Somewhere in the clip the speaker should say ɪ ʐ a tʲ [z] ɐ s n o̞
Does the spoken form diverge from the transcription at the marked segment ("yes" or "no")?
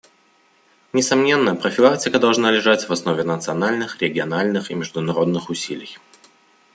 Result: yes